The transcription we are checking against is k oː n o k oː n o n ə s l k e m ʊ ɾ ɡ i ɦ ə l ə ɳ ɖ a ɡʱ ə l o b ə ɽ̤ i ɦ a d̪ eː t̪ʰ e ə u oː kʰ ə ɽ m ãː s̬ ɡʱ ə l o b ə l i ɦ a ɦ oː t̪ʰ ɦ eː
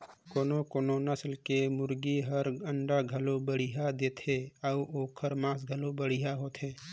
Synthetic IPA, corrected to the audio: k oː n o k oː n o n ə s l k e m ʊ ɾ ɡ i ɦ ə ɾ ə ɳ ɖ a ɡʱ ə l o b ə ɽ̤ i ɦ a d̪ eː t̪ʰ e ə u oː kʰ ə ɾ m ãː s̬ ɡʱ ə l o b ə ɽ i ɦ a ɦ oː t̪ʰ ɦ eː